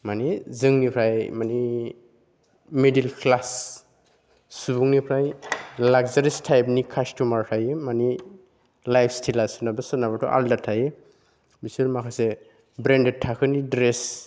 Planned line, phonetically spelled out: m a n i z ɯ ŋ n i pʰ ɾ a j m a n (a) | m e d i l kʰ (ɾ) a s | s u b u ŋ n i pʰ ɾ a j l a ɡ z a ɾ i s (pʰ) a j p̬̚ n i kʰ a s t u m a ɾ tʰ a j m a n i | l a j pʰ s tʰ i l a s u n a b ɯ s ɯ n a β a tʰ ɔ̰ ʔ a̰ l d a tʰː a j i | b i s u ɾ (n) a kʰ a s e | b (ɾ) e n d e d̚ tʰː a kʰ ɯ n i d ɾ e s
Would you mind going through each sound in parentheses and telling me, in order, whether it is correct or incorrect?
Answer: incorrect: i, incorrect: l, incorrect: tʰ, incorrect: m, correct

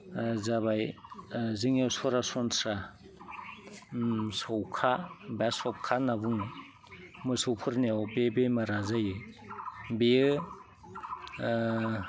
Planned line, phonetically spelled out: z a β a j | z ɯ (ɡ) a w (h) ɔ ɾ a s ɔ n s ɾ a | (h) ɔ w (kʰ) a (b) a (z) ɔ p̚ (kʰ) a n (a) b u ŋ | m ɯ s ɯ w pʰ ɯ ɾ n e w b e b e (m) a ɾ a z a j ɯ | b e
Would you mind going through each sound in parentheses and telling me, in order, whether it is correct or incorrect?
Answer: incorrect: ŋ, incorrect: s, incorrect: s, correct, correct, incorrect: s, correct, correct, correct

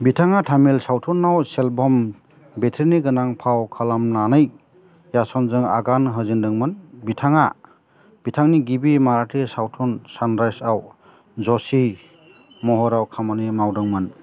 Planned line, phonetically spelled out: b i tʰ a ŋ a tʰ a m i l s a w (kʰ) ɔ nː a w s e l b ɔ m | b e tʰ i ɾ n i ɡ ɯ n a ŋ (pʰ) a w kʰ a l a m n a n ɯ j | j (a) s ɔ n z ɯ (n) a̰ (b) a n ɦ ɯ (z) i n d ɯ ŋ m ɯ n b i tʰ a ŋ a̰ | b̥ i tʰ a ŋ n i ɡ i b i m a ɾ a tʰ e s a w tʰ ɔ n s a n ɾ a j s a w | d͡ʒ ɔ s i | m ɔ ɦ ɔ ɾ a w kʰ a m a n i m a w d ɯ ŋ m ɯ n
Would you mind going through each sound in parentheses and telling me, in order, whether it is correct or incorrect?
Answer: incorrect: tʰ, correct, correct, incorrect: ŋ, incorrect: ɡ, correct

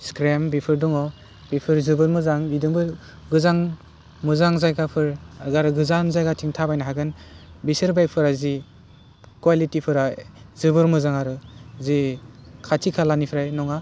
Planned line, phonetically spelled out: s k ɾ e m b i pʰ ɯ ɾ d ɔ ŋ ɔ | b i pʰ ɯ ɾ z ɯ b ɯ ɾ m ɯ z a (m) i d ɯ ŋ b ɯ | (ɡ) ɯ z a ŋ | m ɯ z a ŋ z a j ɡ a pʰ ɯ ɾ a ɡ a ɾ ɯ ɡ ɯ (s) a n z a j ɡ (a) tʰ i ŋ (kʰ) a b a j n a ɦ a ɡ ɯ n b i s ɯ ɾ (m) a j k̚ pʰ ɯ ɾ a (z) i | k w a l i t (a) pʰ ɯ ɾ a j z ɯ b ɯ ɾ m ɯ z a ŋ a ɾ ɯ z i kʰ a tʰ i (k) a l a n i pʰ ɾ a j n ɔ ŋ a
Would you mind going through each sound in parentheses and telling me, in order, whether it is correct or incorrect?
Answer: incorrect: ŋ, correct, incorrect: z, correct, incorrect: tʰ, incorrect: b, correct, incorrect: i, incorrect: kʰ

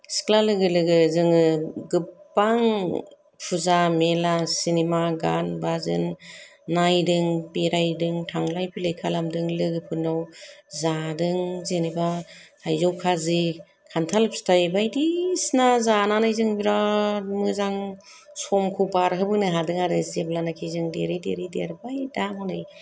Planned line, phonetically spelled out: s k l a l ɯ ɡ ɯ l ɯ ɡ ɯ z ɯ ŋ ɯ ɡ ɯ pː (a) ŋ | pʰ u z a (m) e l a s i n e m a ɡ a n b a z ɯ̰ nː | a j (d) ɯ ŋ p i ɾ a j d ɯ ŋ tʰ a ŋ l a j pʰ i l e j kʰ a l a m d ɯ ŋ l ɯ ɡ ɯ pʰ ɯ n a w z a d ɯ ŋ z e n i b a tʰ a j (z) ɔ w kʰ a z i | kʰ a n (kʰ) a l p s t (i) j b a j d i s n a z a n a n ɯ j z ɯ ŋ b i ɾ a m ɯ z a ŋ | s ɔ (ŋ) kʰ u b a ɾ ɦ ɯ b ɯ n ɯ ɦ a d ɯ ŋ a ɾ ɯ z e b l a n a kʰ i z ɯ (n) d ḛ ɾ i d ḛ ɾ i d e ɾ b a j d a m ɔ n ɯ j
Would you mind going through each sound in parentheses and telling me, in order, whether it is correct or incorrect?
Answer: correct, correct, correct, correct, incorrect: tʰ, incorrect: a, incorrect: m, incorrect: ŋ

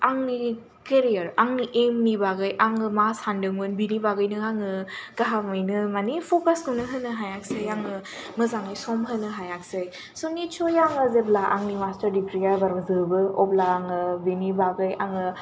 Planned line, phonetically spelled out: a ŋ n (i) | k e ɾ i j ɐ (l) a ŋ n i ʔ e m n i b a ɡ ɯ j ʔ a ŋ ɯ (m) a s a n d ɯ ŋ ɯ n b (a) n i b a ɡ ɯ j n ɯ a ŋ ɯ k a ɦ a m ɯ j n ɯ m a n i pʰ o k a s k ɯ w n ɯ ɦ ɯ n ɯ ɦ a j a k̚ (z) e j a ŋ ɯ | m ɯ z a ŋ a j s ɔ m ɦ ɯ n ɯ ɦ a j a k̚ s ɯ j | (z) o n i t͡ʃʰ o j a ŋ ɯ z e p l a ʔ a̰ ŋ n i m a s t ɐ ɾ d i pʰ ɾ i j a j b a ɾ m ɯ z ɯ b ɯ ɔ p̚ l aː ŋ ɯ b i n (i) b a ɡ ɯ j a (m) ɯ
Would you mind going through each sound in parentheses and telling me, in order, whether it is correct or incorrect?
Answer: correct, incorrect: ɾ, correct, incorrect: i, incorrect: s, incorrect: s, correct, incorrect: ŋ

